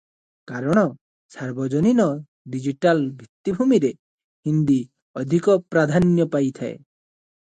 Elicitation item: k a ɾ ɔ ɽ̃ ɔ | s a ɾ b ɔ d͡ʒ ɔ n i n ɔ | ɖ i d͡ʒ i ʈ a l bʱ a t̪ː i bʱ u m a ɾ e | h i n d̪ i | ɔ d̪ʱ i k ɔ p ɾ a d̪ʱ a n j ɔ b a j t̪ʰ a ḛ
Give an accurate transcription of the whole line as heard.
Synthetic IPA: k a ɾ ɔ ɽ̃ ɔ | s a ɾ b ɔ d͡ʒ ɔ n i n ɔ | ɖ i d͡ʒ i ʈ a l bʱ i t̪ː i bʱ u m i ɾ e | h i n d̪ i | ɔ d̪ʱ i k ɔ p ɾ a d̪ʱ a n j ɔ p a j t̪ʰ a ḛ